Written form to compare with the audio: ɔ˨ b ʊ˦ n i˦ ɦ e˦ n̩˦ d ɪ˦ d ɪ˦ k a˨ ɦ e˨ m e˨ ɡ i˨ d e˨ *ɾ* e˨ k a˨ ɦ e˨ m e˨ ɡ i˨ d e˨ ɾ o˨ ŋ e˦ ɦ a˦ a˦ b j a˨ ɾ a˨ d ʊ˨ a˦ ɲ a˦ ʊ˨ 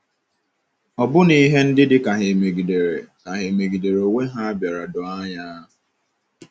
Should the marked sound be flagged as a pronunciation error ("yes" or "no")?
no